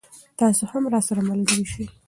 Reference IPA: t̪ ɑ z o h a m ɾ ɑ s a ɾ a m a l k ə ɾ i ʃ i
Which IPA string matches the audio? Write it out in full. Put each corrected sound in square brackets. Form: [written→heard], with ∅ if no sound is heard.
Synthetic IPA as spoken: t̪ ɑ [z→s] o h a m ɾ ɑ s a ɾ a m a l [k→ɡ] ə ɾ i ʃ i